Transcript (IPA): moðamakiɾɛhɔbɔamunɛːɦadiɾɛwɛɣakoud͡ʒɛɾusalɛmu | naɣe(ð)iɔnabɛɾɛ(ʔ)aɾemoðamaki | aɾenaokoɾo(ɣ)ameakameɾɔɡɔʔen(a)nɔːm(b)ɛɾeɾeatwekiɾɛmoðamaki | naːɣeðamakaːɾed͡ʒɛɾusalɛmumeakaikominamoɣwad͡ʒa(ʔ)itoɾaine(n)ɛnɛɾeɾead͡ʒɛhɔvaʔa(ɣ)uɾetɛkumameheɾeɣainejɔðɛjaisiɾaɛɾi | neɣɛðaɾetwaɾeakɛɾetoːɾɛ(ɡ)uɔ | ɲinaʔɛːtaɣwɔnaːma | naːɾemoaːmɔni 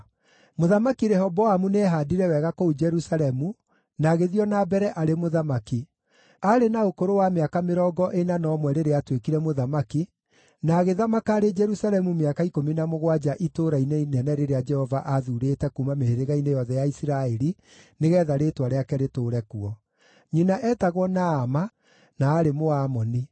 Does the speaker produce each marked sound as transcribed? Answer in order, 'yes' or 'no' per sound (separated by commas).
yes, yes, no, yes, no, yes, yes, no, no